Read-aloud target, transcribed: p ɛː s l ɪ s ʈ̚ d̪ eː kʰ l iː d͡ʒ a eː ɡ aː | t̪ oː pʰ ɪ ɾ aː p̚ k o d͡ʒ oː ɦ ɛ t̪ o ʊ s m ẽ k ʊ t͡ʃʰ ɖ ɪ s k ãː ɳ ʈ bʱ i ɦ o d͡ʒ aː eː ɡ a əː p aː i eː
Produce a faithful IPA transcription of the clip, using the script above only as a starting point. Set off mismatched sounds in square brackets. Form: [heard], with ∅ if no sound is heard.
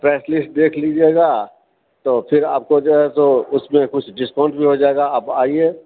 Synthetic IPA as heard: p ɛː s l ɪ s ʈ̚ d̪ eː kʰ l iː d͡ʒ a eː ɡ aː | t̪ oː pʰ ɪ ɾ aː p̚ k o d͡ʒ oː ɦ ɛ t̪ o ʊ s m ẽ k ʊ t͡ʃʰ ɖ ɪ s k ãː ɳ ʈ bʱ i ɦ o d͡ʒ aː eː ɡ a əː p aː i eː